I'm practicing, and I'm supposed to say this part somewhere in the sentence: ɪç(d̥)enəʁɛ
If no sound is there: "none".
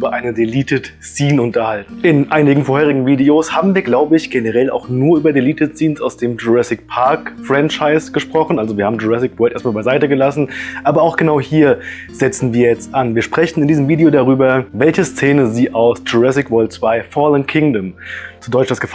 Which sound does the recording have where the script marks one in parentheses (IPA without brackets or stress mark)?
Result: ɡ̥